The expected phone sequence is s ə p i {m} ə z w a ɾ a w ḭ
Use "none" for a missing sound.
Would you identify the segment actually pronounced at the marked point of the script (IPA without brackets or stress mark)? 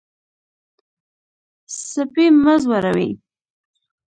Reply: m